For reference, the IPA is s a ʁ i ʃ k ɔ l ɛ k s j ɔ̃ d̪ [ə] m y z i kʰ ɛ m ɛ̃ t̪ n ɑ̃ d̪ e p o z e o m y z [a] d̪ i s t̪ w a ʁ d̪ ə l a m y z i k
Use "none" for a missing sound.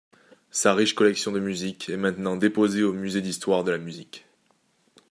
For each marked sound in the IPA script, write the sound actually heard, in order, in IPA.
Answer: ə, e

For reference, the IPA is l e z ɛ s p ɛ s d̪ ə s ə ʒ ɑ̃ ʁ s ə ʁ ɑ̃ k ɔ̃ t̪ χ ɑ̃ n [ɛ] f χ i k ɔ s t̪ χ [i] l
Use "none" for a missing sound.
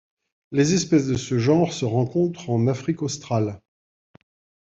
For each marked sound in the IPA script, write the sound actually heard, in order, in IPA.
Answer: a, a

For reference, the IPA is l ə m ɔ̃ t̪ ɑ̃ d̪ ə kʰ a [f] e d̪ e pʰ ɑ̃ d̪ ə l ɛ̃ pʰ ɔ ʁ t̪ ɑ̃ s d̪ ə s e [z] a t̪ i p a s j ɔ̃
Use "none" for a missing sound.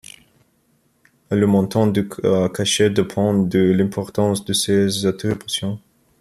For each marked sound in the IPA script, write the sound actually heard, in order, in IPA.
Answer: ʃ, z

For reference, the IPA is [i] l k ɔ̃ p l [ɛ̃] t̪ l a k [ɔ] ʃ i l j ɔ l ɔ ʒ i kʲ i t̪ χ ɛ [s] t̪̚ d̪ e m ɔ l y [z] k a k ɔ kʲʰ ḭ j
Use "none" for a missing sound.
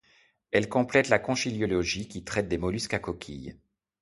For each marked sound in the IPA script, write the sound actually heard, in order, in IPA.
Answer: ɛ, ɛ, ɔ̃, none, s

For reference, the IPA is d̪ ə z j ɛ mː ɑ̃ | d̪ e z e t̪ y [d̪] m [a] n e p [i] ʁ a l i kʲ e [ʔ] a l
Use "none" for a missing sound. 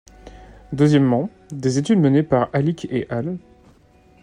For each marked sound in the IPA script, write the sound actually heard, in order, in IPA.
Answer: d̪, ə, a, ʔ

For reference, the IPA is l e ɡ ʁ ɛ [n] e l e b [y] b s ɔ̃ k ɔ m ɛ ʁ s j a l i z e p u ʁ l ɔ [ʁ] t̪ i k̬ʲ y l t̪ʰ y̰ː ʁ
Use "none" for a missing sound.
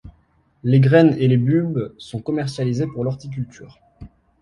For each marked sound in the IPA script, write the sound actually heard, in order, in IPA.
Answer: n, y, ʁ

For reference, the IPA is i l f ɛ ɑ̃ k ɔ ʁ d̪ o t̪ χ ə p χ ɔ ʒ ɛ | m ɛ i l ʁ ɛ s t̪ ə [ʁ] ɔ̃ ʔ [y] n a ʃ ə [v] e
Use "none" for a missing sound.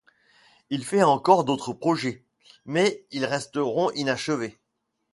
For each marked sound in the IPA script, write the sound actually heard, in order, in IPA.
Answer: ʁ, i, v

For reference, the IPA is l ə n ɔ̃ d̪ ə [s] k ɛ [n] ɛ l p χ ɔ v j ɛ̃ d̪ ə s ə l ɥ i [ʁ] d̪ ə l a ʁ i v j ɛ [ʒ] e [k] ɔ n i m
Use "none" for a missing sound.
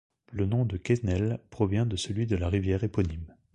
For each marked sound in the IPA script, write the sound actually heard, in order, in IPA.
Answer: none, n, none, ʁ, p

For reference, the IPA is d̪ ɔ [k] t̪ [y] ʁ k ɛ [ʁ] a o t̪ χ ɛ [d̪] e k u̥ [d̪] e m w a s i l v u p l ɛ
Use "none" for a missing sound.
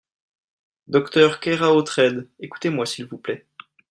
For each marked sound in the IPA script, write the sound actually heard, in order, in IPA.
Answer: k, œ, ʁ, d̪, t̪

